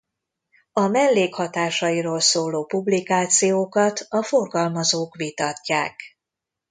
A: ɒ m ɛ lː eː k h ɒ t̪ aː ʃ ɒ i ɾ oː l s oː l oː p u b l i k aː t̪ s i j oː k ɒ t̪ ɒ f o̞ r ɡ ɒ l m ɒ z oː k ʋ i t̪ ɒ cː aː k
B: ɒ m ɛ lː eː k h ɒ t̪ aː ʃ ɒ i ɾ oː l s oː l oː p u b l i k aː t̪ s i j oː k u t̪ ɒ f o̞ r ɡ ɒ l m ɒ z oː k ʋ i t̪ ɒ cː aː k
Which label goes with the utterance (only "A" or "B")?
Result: A